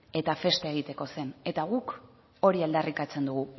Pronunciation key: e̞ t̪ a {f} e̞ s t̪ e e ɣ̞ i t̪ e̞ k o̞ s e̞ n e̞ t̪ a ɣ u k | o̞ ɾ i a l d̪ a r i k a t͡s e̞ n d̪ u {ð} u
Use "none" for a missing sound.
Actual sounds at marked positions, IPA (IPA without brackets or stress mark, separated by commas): f, ɣ